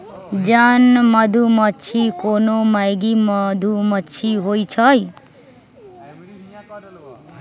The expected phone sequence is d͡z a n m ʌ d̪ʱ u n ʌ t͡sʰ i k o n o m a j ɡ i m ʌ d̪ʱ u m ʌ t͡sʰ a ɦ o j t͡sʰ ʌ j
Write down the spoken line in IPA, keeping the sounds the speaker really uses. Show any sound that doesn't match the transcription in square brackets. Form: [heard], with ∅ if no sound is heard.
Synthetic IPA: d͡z a n m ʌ d̪ʱ u [m] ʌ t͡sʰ i k o n o m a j ɡ i m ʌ d̪ʱ u m ʌ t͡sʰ [i] ɦ o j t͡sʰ ʌ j